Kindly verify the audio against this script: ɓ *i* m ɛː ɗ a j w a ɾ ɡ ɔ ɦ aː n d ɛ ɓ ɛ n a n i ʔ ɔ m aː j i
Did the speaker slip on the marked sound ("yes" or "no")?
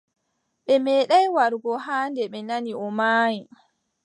yes